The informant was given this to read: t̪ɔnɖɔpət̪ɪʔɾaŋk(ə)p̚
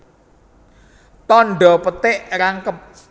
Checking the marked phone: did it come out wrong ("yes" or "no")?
no